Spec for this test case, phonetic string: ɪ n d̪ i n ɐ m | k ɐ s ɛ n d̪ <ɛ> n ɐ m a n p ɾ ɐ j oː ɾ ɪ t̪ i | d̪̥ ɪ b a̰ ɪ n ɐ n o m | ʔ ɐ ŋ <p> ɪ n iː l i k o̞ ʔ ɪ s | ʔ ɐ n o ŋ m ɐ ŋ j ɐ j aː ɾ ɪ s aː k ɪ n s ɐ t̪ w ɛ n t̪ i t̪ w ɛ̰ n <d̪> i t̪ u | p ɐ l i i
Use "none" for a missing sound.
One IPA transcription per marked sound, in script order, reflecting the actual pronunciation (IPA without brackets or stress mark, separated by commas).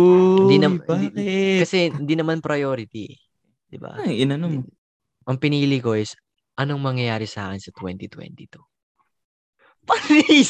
i, p, t̪